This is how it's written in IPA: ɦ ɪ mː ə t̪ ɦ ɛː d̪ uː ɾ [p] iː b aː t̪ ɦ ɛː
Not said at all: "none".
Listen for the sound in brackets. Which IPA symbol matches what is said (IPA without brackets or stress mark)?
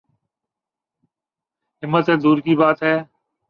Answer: k